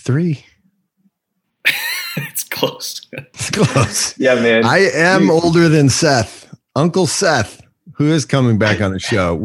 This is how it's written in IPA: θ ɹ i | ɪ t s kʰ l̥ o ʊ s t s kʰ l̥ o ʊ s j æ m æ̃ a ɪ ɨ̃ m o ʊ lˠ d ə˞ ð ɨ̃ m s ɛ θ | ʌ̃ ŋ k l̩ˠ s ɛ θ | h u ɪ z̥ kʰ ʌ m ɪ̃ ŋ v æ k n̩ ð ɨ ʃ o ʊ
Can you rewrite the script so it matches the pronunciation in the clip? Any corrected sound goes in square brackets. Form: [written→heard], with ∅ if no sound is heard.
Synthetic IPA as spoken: θ ɹ i | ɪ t s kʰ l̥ o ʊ s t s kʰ l̥ o ʊ s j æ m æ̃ a ɪ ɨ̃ m o ʊ lˠ d ə˞ ð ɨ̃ [m→n] s ɛ θ | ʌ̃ ŋ k l̩ˠ s ɛ θ | h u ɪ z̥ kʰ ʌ m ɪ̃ ŋ [v→b] æ k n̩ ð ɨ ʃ o ʊ